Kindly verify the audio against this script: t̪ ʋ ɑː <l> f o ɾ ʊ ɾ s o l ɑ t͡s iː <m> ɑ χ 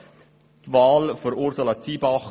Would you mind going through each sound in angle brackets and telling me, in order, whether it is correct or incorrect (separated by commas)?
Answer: correct, incorrect